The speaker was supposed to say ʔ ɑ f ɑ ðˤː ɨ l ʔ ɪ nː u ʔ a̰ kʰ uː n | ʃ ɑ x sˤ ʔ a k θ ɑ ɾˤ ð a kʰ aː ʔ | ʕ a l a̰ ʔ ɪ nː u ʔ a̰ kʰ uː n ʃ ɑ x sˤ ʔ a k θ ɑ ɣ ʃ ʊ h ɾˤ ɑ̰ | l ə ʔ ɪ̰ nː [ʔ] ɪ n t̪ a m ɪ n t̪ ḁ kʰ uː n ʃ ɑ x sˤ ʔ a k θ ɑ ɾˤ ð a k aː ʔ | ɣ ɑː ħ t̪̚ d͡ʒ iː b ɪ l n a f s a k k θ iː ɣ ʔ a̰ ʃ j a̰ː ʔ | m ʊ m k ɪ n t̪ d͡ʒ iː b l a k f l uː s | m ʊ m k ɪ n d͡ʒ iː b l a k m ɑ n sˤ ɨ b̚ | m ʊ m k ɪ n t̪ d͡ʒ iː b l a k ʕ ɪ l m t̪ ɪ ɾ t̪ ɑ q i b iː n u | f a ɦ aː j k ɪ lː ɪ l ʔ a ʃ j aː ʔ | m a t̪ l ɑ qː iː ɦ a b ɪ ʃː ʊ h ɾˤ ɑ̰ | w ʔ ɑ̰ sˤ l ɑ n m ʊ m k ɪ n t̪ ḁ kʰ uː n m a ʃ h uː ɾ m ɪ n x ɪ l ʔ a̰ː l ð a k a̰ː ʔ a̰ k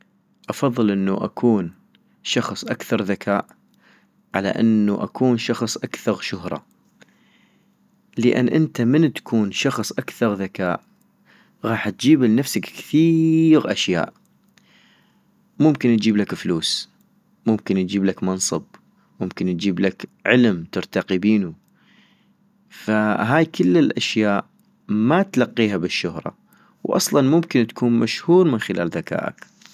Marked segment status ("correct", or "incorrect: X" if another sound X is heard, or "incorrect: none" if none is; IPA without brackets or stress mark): correct